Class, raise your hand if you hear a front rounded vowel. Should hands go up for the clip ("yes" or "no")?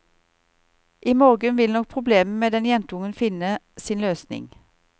yes